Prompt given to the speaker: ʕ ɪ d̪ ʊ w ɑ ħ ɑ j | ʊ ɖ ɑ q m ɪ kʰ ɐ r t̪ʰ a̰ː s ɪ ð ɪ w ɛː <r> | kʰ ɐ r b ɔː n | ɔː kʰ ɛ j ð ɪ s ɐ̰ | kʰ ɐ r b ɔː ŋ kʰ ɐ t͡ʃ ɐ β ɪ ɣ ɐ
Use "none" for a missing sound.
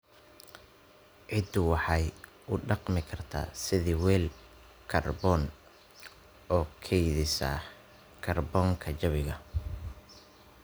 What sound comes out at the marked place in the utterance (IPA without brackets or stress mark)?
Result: l